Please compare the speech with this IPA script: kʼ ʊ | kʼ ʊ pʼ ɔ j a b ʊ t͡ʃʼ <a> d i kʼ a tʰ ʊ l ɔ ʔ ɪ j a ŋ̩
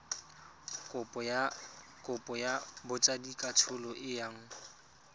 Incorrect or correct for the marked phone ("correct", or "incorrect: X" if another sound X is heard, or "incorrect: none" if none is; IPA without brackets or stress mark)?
correct